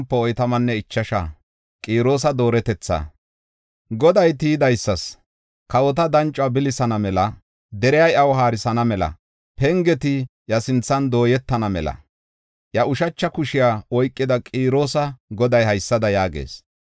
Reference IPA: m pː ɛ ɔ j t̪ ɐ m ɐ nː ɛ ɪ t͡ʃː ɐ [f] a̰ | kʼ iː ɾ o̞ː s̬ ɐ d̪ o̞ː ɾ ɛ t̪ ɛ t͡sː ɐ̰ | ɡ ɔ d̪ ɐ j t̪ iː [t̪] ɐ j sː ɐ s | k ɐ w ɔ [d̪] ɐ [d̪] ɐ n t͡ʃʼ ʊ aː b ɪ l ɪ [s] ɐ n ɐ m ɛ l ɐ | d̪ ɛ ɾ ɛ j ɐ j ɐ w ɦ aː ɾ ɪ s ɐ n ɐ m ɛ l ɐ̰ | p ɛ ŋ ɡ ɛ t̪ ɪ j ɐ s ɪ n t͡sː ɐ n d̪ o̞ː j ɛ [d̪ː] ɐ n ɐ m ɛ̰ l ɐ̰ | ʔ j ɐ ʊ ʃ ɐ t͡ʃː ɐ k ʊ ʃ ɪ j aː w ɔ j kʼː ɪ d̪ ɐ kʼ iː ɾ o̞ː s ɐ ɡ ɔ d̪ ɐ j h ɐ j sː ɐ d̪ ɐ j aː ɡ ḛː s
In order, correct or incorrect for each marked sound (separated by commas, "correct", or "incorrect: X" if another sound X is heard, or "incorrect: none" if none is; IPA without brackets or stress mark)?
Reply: incorrect: ʃ, incorrect: d̪, incorrect: t̪, correct, correct, incorrect: t̪ː